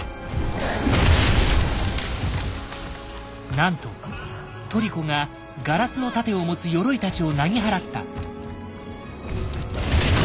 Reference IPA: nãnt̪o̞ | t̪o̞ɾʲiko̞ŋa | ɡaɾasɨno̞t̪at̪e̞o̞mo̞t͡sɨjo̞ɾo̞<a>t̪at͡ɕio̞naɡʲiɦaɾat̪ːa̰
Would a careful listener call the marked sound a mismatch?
yes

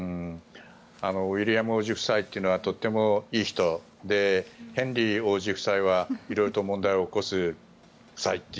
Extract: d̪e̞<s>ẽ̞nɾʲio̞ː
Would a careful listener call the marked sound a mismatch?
yes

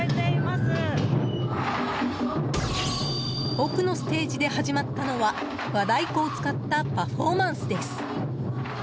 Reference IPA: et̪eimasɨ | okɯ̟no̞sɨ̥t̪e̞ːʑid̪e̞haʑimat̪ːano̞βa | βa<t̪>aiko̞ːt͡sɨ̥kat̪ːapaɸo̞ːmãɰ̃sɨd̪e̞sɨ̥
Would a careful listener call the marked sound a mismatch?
yes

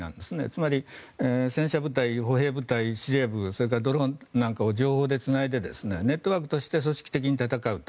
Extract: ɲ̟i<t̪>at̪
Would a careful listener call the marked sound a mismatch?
no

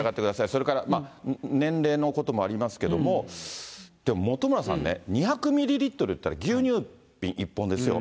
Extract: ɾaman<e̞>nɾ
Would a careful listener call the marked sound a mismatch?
yes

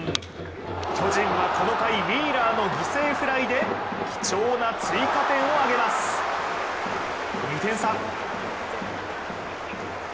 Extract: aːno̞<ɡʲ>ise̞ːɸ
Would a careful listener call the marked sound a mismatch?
no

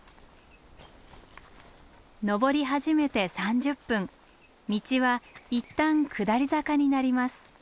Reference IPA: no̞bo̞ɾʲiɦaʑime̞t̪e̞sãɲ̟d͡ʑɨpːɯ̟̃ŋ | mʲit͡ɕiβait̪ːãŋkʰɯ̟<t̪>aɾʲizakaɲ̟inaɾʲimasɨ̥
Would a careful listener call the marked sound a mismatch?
yes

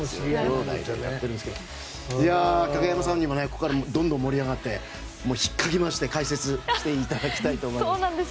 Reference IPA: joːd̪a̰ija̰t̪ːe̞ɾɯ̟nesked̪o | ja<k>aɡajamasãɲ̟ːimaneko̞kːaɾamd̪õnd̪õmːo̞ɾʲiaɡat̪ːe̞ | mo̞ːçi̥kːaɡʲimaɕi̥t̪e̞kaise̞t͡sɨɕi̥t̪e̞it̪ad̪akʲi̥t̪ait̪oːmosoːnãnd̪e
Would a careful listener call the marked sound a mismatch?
no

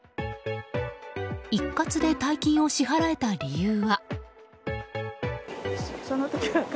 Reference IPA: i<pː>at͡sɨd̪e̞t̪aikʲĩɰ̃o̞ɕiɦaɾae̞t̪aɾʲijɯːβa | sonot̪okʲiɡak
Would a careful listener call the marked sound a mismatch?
yes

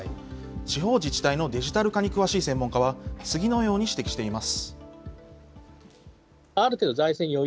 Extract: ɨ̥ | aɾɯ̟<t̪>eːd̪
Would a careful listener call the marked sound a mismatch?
no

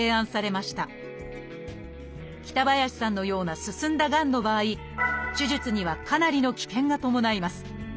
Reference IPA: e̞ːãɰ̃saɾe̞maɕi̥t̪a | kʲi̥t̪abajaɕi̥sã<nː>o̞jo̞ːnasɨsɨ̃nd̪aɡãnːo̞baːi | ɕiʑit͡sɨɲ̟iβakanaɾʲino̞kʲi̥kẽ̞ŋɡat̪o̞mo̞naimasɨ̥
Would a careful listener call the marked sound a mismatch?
no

